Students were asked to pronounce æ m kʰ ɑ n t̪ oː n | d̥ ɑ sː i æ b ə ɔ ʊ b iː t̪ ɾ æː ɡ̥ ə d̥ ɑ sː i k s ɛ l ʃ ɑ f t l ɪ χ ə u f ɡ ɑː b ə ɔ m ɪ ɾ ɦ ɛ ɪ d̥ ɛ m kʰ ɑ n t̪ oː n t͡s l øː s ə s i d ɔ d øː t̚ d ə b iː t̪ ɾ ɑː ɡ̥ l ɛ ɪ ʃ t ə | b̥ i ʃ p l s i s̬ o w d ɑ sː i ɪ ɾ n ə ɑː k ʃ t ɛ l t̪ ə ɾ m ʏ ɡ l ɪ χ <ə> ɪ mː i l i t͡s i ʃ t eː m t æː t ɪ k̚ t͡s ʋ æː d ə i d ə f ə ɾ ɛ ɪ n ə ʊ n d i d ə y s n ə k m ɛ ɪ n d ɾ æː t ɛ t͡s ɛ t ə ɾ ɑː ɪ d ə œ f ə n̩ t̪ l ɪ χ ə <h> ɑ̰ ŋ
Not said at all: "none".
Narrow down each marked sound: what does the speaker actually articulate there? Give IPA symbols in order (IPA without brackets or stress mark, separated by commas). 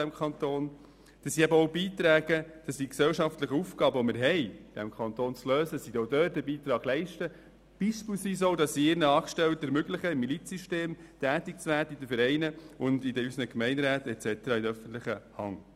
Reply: ə, h